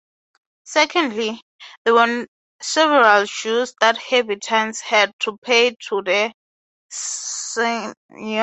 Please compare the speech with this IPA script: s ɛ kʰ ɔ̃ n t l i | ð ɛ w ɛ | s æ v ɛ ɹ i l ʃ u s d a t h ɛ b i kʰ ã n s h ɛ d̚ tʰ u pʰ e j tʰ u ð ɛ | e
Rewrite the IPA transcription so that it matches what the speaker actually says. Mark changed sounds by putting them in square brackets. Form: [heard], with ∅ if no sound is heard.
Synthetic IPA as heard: s ɛ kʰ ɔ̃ n [d] l i | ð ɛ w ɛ | s [ɛ] v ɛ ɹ [a] l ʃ u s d a t h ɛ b i [tʰ] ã n s h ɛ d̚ tʰ u pʰ e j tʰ u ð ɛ | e